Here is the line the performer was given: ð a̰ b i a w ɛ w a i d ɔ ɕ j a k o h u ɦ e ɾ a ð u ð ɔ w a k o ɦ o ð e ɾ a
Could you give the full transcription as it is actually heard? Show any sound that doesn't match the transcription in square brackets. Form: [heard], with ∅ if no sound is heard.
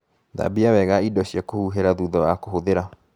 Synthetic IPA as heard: ð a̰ b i a w ɛ [ɣ] a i d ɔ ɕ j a k o h u ɦ e ɾ a ð u ð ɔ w a k o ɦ o ð e ɾ a